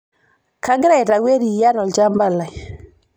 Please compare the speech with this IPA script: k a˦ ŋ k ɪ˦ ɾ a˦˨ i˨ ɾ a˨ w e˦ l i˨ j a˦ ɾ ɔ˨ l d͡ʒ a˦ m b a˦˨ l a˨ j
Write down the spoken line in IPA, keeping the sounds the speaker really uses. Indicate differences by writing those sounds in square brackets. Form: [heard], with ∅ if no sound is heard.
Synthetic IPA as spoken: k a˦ ŋ [ɡ] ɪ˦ ɾ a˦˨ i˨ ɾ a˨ w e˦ [ɾ] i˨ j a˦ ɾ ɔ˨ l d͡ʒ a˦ m b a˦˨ l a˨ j